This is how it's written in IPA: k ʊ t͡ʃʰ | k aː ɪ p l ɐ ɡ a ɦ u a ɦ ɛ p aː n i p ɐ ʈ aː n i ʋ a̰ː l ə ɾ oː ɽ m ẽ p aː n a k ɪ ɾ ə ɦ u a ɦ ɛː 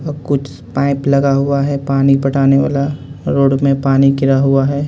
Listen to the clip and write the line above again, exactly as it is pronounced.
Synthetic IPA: k ʊ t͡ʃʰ | p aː ɪ p l ɐ ɡ a ɦ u a ɦ ɛ p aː n i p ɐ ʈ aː n e ʋ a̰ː l a ɾ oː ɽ m ẽ p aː n i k ɪ ɾ a ɦ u a ɦ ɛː